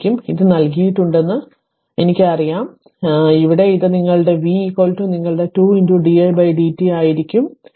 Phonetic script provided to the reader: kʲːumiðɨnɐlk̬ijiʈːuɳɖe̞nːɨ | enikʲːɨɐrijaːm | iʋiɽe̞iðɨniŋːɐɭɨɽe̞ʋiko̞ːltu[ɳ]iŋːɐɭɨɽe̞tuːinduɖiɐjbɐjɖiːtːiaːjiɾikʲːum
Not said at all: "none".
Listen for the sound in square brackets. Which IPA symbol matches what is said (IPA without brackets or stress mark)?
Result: n